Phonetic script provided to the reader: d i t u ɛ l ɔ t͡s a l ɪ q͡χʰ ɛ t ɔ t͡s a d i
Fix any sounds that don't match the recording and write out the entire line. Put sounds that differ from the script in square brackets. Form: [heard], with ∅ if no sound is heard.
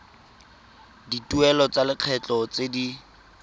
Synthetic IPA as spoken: d i t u ɛ l ɔ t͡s a l ɪ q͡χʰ ɛ [t͡ɬ] ɔ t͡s [e] d i